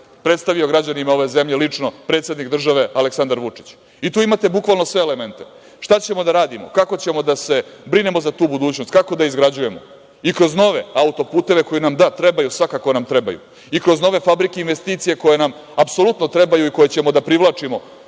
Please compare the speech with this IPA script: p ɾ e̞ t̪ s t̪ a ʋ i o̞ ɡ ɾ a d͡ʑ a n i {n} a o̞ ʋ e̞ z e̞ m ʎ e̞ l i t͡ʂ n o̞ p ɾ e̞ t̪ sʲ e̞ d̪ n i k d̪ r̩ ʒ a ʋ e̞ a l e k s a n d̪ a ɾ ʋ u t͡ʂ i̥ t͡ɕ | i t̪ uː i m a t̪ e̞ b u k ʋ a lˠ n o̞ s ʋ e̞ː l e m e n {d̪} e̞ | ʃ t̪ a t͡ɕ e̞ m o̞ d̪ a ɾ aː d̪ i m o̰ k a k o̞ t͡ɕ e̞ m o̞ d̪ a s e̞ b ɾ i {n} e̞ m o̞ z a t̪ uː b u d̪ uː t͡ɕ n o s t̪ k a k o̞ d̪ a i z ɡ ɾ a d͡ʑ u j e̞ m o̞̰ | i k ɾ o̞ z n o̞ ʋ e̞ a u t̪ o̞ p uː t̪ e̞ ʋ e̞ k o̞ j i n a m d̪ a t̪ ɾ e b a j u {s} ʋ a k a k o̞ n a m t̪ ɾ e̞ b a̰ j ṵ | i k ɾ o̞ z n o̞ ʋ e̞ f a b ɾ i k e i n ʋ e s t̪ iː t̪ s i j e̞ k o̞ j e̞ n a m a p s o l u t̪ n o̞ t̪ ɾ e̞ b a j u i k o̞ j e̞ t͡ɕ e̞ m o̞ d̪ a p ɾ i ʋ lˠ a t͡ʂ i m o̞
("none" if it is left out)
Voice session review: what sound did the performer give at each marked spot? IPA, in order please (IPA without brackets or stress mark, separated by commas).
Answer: m, t̪, n, s